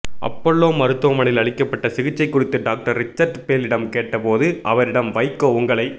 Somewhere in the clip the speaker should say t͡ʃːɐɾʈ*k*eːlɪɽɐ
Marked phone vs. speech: incorrect: p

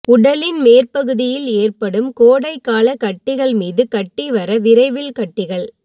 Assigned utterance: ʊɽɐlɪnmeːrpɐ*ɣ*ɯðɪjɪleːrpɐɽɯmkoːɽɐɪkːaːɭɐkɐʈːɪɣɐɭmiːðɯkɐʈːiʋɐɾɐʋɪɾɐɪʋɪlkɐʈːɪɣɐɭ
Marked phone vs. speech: correct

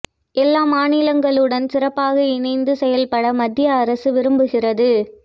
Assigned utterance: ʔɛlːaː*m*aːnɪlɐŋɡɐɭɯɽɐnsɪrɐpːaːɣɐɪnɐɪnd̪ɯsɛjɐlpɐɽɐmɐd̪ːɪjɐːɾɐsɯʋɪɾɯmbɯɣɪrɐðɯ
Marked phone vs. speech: correct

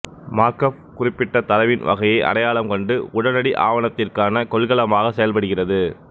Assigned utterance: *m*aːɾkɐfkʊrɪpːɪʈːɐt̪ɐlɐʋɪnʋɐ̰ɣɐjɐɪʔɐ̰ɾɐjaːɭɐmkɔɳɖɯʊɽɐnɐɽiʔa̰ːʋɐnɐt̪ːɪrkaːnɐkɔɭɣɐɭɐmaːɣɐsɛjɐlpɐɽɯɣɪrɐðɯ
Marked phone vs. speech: correct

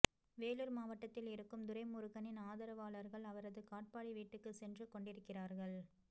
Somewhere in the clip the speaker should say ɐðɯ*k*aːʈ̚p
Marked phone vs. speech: correct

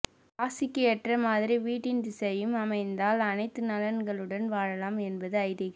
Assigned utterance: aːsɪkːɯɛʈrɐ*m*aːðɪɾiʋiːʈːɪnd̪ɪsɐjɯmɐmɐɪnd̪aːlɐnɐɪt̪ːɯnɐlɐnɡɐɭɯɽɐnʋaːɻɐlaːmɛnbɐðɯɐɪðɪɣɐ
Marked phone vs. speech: correct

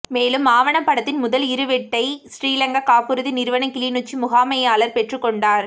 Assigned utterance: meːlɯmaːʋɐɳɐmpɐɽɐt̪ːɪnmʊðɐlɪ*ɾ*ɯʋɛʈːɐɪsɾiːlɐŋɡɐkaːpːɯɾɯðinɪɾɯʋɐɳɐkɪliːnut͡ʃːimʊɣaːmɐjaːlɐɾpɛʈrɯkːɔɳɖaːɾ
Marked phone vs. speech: correct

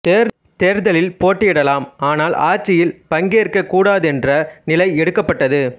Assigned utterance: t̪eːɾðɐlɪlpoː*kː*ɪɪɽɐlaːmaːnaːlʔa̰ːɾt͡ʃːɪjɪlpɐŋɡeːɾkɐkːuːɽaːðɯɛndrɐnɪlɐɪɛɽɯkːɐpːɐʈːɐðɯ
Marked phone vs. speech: incorrect: ʈː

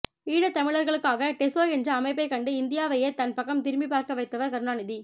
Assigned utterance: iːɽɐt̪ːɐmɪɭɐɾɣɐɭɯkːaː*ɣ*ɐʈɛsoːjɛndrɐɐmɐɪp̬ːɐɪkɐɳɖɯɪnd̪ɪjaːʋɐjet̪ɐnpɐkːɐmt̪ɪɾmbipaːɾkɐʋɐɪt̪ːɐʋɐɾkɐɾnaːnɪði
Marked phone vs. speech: correct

